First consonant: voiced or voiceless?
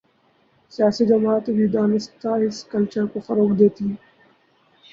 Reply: voiceless